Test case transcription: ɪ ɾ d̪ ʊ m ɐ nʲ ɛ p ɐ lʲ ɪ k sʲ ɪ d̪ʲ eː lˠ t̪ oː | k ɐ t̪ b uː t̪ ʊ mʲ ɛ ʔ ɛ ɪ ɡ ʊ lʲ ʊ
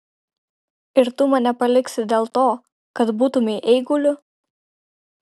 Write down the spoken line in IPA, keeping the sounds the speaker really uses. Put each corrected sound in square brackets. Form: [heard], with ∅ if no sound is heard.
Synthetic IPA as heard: ɪ ɾ [t̪] ʊ m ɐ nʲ ɛ p ɐ lʲ ɪ k sʲ ɪ d̪ʲ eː lˠ t̪ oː | k ɐ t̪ b uː t̪ ʊ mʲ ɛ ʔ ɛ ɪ ɡ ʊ lʲ ʊ